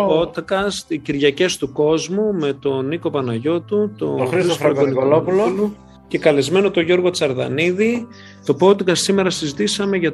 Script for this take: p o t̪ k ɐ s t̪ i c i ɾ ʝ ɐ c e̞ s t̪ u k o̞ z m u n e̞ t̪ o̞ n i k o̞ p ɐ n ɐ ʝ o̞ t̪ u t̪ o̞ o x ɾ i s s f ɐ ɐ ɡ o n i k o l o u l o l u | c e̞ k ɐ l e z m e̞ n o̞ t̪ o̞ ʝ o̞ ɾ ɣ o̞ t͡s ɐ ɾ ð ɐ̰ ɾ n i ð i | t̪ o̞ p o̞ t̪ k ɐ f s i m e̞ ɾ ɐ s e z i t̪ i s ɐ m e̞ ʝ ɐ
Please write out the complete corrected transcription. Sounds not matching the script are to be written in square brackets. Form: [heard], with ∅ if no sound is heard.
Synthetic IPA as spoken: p o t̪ k ɐ s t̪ i c i ɾ ʝ ɐ c e̞ s t̪ u k o̞ z m u [m] e̞ t̪ o̞ n i k o̞ p ɐ n ɐ ʝ o̞ t̪ u t̪ o̞ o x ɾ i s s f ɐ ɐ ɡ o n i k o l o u l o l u | c e̞ k ɐ l e z m e̞ n o̞ t̪ o̞ ʝ o̞ ɾ ɣ o̞ t͡s ɐ ɾ ð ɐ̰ [∅] n i ð i | t̪ o̞ p o̞ t̪ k ɐ [s] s i m e̞ ɾ ɐ s [i] z i t̪ i s ɐ m e̞ ʝ ɐ